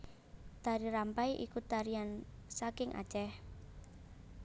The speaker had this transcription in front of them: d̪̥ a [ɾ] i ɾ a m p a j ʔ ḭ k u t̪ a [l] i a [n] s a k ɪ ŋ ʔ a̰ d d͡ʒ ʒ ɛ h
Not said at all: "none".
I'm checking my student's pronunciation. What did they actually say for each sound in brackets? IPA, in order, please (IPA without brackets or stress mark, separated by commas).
ɾ, ɾ, n